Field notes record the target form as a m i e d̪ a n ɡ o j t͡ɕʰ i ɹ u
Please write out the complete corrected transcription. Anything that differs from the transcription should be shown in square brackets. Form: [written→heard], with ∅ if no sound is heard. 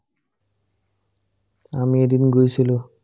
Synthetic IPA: a m i e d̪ [a→i] n ɡ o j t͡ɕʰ i [ɹ→l] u